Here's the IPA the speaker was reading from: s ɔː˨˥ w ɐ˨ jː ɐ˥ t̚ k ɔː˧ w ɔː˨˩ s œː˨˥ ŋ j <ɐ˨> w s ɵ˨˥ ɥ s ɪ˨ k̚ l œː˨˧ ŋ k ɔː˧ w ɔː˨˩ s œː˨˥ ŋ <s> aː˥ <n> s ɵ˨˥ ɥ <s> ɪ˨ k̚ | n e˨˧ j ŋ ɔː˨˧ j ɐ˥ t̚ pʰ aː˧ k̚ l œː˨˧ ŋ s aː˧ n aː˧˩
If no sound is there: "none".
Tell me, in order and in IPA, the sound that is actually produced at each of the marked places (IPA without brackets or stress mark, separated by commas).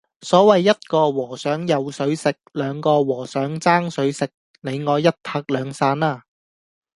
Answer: ɐ˨, t͡s, ŋ, s